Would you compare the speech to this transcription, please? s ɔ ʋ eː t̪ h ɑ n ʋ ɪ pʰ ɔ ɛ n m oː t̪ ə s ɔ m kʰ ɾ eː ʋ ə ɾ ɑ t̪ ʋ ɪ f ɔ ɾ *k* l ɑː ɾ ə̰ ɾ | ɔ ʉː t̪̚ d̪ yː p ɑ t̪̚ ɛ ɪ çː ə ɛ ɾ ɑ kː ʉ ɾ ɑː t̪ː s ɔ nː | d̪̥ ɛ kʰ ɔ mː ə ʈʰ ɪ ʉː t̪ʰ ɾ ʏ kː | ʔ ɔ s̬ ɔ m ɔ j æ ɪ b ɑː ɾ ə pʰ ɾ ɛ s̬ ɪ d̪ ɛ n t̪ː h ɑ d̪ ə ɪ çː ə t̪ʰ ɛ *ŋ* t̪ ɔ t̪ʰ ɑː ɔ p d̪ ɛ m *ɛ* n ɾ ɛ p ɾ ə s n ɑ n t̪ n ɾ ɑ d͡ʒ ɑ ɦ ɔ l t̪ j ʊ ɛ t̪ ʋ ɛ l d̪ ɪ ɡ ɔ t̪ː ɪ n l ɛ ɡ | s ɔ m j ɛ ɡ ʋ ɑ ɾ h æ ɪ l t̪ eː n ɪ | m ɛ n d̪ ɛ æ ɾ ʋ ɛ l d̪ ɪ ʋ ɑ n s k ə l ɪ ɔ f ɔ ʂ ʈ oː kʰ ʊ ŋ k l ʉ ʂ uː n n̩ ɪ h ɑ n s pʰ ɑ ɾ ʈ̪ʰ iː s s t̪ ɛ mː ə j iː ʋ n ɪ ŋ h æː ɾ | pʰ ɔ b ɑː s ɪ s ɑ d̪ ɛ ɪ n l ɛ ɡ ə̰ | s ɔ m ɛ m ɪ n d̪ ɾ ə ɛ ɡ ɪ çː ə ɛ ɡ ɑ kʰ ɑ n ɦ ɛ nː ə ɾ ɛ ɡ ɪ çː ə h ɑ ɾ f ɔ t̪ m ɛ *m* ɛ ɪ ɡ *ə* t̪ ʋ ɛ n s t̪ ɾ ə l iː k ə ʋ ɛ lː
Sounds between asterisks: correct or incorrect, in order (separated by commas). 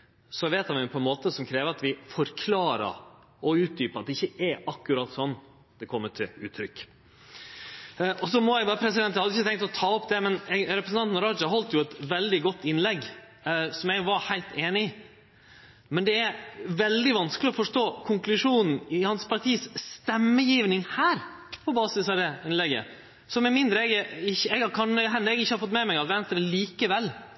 incorrect, correct, correct, correct, incorrect